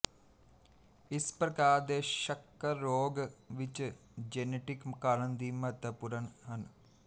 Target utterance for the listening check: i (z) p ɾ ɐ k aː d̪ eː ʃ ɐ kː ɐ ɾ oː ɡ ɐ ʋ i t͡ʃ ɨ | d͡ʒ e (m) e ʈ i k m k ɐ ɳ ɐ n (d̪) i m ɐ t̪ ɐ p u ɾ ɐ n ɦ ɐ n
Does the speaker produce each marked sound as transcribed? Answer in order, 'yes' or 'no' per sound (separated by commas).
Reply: no, no, yes